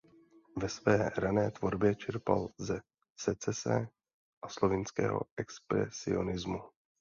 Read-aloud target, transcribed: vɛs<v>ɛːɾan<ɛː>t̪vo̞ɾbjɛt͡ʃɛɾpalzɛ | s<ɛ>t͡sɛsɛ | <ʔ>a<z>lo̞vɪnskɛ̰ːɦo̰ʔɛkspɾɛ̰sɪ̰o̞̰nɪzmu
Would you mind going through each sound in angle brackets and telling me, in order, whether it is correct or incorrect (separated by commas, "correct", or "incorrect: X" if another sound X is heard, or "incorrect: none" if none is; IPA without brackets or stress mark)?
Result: correct, correct, correct, correct, incorrect: s